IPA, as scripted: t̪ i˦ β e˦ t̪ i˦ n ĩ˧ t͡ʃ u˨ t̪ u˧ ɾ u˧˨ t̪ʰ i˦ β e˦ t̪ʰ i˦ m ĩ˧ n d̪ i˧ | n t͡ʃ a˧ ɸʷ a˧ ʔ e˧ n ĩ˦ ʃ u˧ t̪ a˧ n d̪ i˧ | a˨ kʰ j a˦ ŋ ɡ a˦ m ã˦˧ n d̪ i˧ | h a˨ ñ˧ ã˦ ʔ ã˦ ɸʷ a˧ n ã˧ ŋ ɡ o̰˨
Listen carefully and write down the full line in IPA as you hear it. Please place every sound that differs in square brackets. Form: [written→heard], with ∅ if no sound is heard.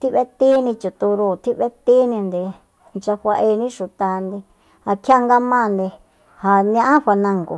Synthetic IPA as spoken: t̪ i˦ β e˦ t̪ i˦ n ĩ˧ t͡ʃ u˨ t̪ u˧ ɾ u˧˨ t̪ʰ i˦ β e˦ [t̪ʰ→t̪] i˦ [m→n] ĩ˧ n d̪ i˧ | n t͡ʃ a˧ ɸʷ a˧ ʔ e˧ n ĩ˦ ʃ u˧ t̪ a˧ n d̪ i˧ | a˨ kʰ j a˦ ŋ ɡ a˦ m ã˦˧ n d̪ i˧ | h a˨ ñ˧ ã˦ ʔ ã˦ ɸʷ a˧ n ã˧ ŋ ɡ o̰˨

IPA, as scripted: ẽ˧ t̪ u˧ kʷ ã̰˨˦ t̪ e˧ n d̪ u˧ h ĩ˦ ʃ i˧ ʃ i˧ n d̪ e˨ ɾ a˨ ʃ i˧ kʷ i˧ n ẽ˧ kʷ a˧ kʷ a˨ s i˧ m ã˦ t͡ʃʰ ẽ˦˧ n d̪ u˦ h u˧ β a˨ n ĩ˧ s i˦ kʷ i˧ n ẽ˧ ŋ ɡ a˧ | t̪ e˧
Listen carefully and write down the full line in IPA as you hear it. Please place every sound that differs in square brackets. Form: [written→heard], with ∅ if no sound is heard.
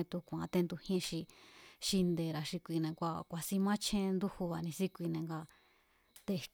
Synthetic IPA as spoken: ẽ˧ t̪ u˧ kʷ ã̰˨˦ t̪ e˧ n d̪ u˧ h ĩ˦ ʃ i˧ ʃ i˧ n d̪ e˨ ɾ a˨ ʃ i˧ kʷ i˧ n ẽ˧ kʷ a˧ kʷ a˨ s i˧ m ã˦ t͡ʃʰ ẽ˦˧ n d̪ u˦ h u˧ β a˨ n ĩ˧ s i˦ kʷ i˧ n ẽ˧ ŋ ɡ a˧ | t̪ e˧

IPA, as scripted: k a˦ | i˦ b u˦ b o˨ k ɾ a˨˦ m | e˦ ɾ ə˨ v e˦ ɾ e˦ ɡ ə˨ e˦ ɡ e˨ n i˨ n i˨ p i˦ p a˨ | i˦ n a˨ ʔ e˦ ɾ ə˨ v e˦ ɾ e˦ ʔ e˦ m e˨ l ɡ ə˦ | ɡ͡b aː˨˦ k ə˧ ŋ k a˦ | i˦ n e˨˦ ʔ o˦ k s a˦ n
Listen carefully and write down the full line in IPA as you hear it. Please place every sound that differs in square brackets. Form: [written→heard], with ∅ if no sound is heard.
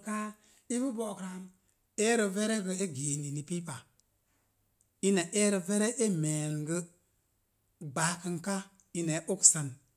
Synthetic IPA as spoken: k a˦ | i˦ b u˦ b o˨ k ɾ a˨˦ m | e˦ ɾ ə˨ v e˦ ɾ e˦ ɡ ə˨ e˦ ɡ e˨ n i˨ n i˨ p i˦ p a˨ | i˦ n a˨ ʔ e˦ ɾ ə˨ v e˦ ɾ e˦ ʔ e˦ m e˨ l ɡ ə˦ | ɡ͡b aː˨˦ k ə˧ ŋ k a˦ | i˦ n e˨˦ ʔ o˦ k s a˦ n

